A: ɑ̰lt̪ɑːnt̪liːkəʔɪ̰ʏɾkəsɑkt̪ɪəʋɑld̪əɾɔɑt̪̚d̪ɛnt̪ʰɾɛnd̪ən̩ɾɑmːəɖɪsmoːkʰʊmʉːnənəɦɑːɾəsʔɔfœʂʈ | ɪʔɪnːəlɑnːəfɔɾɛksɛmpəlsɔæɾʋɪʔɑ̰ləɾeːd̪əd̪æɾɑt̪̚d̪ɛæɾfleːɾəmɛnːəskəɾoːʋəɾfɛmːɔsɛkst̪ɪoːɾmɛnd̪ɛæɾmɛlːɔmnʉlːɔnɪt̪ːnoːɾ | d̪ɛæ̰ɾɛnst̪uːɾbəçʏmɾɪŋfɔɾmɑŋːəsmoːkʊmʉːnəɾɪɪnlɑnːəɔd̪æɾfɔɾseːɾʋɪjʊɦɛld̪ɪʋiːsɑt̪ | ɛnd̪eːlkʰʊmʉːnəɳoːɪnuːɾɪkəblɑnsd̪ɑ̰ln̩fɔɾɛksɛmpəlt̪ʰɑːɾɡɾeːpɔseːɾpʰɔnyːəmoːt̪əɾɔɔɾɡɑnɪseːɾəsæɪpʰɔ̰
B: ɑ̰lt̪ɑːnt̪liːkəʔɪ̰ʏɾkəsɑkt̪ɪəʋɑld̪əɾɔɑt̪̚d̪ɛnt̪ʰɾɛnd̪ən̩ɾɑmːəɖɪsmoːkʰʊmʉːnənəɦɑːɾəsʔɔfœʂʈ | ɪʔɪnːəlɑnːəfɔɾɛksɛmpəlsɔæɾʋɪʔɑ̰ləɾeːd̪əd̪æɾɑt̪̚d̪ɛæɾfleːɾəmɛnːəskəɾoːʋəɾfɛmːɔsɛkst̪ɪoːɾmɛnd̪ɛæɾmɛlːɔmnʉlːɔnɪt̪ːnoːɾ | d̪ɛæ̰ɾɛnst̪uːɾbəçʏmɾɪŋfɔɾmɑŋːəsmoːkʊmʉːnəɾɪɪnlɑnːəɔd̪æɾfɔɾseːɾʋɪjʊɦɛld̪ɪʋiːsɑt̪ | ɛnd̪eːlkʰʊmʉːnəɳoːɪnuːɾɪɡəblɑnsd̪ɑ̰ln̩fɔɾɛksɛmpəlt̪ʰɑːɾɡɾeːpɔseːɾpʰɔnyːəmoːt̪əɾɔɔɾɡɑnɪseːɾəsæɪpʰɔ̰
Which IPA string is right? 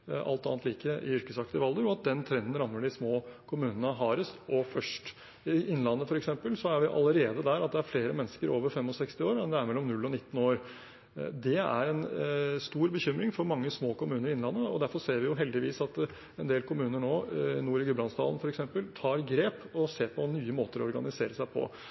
B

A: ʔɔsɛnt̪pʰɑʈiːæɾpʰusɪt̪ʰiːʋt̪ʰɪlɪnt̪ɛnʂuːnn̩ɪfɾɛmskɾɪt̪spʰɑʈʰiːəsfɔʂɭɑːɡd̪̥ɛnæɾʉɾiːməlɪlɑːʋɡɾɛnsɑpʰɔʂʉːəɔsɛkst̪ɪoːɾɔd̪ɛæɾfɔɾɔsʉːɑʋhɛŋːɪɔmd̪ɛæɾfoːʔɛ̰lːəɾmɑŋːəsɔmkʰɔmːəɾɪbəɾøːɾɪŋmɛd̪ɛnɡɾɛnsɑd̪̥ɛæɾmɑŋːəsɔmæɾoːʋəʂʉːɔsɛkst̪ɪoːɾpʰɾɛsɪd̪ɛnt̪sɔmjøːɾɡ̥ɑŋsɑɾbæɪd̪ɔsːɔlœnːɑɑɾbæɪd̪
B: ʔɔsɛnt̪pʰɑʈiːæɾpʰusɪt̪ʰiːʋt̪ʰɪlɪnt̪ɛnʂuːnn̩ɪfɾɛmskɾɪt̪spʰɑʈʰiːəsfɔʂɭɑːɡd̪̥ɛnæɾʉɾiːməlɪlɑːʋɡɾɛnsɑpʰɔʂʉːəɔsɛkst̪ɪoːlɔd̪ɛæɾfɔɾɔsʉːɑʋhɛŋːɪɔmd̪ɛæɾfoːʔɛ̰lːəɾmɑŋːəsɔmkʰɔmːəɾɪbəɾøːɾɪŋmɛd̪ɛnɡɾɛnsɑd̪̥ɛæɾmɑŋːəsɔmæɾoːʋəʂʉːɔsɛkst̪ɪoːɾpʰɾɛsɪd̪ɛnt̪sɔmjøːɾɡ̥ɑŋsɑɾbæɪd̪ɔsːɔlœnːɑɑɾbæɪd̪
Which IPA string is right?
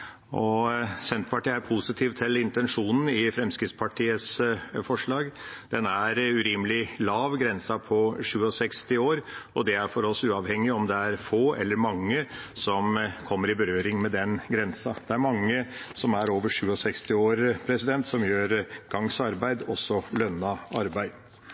A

